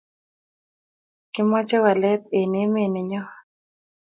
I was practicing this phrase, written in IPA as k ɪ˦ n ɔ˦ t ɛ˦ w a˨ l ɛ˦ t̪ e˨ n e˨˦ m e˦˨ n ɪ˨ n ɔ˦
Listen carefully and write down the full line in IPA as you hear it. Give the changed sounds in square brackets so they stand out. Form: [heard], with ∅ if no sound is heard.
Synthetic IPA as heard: k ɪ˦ [m] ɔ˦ [t͡ʃ] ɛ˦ w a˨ l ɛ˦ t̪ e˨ n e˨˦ m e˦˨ n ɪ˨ [ɲ] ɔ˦